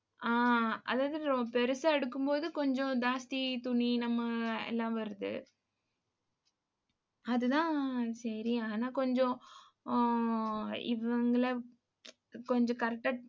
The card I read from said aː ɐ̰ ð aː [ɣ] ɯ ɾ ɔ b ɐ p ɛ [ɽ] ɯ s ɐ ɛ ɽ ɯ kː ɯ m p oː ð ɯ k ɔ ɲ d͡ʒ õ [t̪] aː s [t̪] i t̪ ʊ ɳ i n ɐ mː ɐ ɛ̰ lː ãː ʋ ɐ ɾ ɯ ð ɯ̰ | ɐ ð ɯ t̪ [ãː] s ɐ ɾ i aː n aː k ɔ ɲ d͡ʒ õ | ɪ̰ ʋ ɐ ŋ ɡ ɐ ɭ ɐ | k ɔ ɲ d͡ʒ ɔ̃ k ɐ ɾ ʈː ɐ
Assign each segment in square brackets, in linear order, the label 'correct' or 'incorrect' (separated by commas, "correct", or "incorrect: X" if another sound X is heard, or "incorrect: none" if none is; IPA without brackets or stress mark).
incorrect: ð, incorrect: ɾ, incorrect: d̪, correct, correct